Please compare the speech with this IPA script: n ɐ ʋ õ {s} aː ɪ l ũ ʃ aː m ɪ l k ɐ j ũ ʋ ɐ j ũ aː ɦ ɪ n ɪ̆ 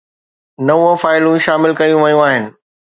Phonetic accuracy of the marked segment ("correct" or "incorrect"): incorrect